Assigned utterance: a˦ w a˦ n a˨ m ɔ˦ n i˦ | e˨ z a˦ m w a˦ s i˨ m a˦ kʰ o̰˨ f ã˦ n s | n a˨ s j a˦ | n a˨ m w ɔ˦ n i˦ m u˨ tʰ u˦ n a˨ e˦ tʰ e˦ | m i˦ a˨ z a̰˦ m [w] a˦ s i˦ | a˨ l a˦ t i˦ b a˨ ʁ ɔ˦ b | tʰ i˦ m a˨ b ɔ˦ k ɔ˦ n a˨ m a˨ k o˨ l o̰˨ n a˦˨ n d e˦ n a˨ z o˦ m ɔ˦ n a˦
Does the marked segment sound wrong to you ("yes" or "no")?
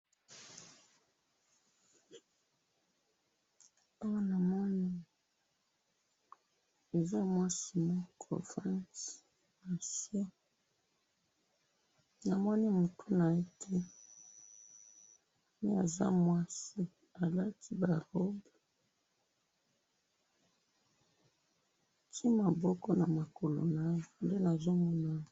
no